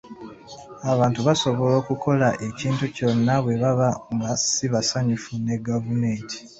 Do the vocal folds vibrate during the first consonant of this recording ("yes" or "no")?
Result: yes